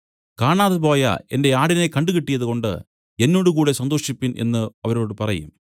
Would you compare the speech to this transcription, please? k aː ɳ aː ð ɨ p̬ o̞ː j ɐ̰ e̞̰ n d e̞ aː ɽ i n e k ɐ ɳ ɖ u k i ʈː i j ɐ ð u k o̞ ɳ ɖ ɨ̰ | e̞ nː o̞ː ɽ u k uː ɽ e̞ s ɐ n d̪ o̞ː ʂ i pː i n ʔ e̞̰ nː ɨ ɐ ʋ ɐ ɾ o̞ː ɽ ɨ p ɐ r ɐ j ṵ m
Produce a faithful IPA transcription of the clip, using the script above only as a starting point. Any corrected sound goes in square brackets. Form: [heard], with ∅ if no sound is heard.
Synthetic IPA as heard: k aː ɳ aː ð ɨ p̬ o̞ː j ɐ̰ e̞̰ n d e̞ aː ɽ i n e k ɐ ɳ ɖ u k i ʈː i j ɐ ð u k o̞ ɳ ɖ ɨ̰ | e̞ nː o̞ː ɽ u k uː ɽ e̞ s ɐ n d̪ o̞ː ʂ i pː i n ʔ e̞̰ nː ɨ ɐ ʋ ɐ ɾ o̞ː ɽ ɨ p ɐ r ɐ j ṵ m